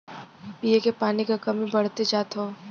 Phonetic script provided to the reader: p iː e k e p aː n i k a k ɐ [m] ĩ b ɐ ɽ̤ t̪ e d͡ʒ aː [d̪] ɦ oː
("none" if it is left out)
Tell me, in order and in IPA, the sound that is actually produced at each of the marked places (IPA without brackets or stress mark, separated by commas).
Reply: m, t̪